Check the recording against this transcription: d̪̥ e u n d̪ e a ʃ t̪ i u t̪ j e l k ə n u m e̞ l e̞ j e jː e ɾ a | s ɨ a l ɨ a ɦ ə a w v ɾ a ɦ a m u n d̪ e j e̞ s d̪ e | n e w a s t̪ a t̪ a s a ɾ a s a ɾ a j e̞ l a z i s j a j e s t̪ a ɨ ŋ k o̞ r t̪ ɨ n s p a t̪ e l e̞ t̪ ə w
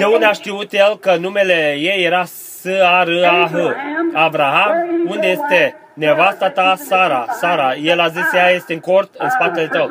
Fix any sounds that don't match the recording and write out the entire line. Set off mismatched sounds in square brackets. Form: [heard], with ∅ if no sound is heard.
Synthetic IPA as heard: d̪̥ e u n d̪ e a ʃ t̪ i u t̪ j e l k ə n u m e̞ l e̞ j e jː e ɾ a | s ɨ a [ɾ] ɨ a ɦ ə a [∅] v ɾ a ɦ a m u n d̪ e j e̞ s [t̪] e | n e [v] a s t̪ a t̪ a s a ɾ a s a ɾ a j e̞ l a z i s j a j e s t̪ [e] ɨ ŋ k o̞ r t̪ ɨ n s p a t̪ e l e̞ t̪ ə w